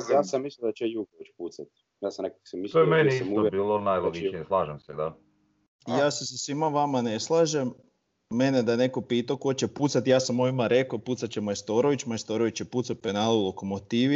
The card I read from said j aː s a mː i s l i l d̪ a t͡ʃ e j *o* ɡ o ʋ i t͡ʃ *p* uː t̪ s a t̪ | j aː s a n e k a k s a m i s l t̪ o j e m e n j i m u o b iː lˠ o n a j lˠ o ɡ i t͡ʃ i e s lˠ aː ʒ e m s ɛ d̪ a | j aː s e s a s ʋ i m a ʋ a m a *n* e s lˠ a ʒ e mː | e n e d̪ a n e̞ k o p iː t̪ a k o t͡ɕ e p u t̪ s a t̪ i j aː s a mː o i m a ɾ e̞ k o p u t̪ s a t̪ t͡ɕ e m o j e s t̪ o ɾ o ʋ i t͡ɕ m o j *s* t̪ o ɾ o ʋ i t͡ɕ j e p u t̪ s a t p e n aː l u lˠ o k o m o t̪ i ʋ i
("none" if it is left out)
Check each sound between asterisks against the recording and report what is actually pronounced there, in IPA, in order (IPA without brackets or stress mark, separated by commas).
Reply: u, p, n, s